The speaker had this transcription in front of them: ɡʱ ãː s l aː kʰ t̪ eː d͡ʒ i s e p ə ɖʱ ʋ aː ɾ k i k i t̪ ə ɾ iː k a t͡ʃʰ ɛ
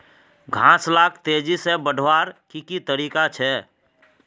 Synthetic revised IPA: ɡʱ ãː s l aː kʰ t̪ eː d͡ʒ i s e b ə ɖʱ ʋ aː ɾ k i k i t̪ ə ɾ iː k a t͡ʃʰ ɛ